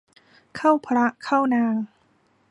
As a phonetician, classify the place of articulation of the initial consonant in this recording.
velar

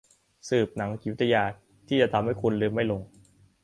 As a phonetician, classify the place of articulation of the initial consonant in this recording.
alveolar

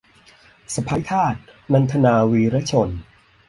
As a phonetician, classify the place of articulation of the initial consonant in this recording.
alveolar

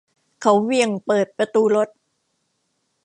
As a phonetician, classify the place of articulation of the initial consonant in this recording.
velar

